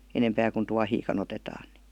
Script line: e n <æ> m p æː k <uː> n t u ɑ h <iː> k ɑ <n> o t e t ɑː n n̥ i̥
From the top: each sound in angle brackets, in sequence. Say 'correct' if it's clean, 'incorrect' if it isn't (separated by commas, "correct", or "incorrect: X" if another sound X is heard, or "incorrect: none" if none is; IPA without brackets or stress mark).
incorrect: e, incorrect: u, correct, correct